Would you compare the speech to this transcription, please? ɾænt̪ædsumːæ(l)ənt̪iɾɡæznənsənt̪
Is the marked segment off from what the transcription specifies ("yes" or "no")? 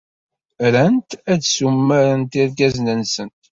yes